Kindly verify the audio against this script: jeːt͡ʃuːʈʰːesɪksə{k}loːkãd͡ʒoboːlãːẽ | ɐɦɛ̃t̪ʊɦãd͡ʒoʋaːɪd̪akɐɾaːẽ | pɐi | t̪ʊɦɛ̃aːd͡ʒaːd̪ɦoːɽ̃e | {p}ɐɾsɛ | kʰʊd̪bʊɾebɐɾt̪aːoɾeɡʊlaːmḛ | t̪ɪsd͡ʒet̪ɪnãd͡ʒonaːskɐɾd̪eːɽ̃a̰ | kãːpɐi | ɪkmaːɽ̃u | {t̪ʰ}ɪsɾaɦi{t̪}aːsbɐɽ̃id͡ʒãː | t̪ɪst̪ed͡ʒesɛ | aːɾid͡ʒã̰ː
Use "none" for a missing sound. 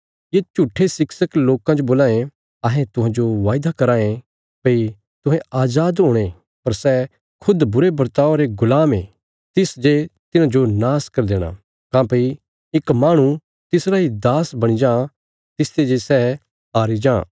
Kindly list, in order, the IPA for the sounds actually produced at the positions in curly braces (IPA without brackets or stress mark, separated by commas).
k, p, t̪, d̪